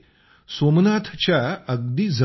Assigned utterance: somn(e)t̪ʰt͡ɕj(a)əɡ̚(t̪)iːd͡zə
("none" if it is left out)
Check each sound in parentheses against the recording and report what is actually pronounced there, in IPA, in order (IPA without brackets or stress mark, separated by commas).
a, a, d̪